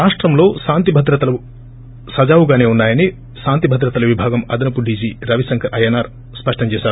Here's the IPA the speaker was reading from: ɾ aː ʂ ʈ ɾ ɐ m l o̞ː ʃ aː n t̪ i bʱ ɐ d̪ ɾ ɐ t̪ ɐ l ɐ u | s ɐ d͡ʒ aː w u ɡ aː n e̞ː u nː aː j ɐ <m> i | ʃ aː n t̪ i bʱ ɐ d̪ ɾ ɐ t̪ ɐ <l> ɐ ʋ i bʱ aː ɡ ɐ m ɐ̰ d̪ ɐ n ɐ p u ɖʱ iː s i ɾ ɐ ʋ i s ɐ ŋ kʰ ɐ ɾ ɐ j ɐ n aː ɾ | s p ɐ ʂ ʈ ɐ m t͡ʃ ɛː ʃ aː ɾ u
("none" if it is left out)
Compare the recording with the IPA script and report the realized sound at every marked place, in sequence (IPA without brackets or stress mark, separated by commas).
n, l